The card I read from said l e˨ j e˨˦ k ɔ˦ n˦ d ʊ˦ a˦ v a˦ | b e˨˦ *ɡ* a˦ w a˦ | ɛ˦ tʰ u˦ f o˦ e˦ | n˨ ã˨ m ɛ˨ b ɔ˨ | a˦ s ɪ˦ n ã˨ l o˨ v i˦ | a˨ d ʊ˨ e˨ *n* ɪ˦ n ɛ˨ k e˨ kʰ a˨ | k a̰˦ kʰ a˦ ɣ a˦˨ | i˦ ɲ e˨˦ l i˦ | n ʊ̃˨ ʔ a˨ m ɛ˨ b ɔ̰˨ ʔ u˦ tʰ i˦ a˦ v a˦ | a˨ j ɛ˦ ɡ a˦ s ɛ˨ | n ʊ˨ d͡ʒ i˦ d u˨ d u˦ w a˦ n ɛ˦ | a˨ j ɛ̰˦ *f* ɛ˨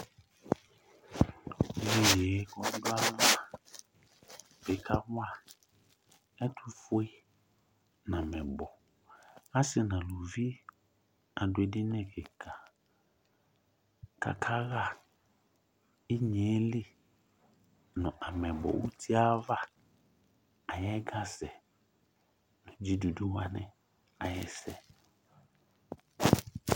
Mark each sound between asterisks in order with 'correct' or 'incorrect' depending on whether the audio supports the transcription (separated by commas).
incorrect, incorrect, incorrect